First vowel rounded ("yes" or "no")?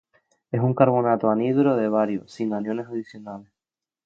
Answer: no